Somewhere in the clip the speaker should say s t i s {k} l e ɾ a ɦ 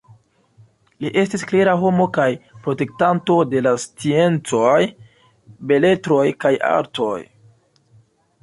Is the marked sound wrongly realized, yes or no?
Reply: no